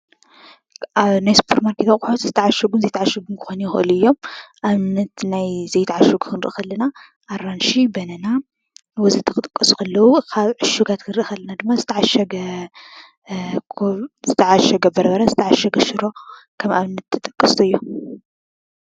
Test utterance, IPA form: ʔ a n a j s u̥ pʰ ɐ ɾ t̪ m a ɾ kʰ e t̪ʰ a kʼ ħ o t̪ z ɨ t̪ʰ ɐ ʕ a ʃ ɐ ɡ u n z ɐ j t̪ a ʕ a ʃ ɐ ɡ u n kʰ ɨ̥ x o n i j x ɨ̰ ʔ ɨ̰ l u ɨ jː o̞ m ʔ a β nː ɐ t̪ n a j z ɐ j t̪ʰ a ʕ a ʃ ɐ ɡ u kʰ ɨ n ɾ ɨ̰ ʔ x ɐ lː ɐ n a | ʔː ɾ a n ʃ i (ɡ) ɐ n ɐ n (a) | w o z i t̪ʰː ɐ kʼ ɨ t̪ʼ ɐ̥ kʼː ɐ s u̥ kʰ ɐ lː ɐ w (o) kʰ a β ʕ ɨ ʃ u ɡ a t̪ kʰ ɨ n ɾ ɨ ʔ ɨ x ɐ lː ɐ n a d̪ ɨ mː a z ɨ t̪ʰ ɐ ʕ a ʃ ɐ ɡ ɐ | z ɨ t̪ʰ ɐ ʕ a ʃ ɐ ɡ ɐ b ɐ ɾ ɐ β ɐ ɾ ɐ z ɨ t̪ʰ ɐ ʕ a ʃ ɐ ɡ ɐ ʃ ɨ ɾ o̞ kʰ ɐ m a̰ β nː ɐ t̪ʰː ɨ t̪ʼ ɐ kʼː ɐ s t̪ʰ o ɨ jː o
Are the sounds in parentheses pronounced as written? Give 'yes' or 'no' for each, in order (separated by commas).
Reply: no, yes, no